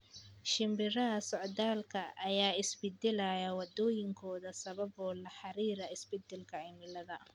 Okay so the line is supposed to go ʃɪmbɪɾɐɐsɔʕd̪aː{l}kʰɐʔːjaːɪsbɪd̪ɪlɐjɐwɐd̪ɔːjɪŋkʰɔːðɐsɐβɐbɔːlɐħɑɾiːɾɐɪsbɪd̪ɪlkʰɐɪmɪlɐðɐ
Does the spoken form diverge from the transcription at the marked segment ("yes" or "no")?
no